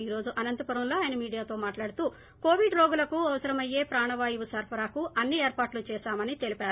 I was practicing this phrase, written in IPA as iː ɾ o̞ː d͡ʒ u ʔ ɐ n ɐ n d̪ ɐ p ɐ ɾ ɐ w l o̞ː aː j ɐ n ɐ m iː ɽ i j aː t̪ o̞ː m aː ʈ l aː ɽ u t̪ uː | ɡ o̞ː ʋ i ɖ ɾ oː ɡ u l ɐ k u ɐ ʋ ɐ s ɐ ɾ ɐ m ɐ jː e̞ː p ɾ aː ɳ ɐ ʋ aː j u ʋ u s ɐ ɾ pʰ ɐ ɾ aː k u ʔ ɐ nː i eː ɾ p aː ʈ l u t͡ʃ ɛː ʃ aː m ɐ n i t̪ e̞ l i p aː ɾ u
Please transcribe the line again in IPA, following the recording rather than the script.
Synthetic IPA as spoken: iː ɾ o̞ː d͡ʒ u ʔ ɐ n ɐ n t̪ ɐ p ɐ ɾ ɐ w l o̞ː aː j ɐ n ɐ m iː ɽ i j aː t̪ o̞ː m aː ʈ l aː ɽ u t̪ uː | k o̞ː ʋ i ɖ ɾ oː ɡ u l ɐ k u ɐ ʋ ɐ s ɐ ɾ ɐ m ɐ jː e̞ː p ɾ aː ɳ ɐ ʋ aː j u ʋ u s ɐ ɾ pʰ ɐ ɾ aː k u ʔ ɐ nː i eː ɾ p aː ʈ l u t͡ʃ ɛː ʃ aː m ɐ n i t̪ e̞ l i p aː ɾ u